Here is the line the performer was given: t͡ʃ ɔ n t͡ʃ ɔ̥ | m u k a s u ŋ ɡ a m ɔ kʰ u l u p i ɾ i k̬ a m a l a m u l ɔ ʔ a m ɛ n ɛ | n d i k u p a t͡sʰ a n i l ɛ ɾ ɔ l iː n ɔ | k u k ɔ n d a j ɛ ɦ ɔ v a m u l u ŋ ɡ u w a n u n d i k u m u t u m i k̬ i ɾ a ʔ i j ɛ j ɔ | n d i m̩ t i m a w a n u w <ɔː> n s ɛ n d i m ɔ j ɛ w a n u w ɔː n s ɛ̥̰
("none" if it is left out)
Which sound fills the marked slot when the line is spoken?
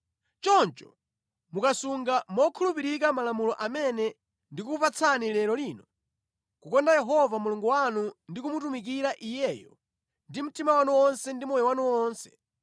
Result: ɔ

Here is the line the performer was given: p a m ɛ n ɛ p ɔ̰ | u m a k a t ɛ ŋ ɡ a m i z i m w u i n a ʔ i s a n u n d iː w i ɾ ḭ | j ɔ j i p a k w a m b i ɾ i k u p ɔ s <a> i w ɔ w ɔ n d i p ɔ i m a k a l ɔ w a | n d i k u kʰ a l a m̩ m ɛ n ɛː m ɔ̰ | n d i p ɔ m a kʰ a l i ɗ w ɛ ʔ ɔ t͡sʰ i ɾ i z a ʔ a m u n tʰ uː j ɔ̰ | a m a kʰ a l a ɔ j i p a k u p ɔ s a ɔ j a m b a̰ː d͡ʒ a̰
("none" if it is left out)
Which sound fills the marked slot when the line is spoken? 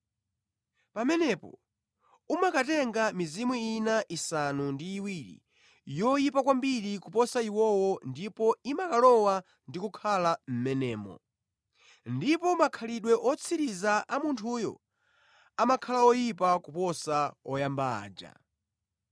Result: a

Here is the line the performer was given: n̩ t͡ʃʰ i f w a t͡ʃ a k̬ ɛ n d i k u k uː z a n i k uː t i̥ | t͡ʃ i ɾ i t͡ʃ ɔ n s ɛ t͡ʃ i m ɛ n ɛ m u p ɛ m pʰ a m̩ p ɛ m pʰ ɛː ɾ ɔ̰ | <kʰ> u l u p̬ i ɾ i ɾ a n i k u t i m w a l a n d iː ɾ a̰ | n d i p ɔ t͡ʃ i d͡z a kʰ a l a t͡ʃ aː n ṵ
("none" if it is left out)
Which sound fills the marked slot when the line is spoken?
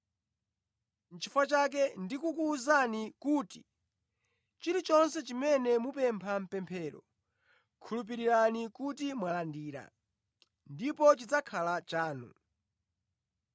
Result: kʰ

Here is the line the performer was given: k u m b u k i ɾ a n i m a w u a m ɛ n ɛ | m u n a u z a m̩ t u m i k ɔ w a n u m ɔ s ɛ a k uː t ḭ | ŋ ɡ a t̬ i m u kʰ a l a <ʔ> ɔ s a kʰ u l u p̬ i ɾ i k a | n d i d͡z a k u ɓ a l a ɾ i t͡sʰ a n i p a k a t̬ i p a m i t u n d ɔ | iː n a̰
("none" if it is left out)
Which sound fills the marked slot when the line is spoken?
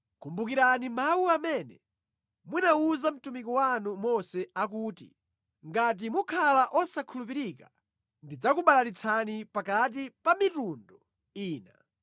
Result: ʔ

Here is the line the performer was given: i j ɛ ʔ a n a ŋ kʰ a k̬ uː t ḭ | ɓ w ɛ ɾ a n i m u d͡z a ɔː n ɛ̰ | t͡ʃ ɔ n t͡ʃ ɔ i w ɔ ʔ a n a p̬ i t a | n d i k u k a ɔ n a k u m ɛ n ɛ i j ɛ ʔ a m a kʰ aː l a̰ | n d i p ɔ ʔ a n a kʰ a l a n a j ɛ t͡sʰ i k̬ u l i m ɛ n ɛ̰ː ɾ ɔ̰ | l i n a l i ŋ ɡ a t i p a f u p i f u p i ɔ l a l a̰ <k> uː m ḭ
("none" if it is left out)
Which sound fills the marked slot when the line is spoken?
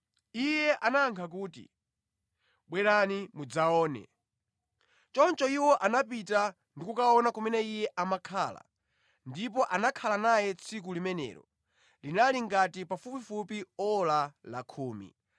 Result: kʰ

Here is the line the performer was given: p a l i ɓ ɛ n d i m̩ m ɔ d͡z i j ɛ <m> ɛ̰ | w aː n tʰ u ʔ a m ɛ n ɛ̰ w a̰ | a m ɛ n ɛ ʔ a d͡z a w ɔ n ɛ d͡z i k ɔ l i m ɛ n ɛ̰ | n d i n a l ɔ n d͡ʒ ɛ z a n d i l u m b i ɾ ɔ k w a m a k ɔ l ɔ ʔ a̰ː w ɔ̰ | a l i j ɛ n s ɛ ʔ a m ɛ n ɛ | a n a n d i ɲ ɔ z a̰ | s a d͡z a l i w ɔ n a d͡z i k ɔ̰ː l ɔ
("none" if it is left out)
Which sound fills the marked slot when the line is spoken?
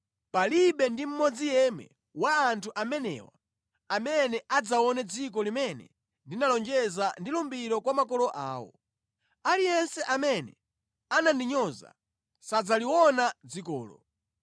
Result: m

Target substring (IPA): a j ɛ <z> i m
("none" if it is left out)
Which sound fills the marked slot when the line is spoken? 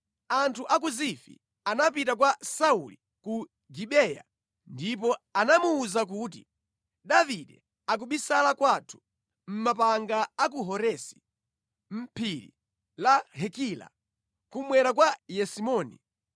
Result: s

